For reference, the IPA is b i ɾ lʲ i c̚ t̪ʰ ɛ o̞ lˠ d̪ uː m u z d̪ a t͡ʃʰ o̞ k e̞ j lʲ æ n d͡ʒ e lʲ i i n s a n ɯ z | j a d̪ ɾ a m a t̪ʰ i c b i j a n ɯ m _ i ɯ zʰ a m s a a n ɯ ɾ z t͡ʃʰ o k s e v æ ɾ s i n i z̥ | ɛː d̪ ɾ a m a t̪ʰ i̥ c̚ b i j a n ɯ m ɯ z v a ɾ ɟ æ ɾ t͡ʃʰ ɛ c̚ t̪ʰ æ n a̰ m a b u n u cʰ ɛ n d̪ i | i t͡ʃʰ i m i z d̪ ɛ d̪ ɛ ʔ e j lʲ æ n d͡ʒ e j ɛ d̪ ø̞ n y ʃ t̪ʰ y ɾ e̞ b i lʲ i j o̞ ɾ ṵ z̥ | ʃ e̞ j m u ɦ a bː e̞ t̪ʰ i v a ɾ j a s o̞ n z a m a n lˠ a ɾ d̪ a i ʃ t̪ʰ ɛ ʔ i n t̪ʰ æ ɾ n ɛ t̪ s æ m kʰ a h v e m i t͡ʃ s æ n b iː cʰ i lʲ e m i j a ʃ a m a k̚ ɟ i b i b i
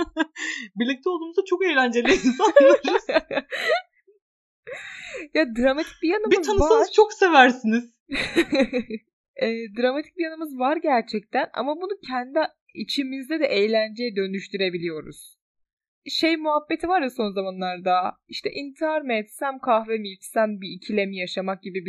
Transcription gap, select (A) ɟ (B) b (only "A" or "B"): B